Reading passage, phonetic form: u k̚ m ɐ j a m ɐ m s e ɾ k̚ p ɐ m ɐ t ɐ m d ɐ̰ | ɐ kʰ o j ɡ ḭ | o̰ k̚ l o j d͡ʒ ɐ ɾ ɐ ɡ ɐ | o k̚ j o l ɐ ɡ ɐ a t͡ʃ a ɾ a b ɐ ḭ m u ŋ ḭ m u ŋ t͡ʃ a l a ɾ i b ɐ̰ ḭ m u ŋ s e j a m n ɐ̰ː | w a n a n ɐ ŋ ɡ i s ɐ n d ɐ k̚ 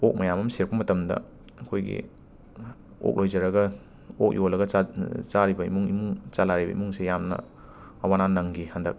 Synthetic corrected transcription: o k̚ m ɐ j a m ɐ m s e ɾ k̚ p ɐ m ɐ t ɐ m d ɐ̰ | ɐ kʰ o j ɡ ḭ | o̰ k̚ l o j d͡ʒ ɐ ɾ ɐ ɡ ɐ | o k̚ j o l ɐ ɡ ɐ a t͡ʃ a ɾ i b ɐ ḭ m u ŋ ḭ m u ŋ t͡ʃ a l a ɾ i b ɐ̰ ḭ m u ŋ s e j a m n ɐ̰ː | w a n a n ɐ ŋ ɡ i h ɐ n d ɐ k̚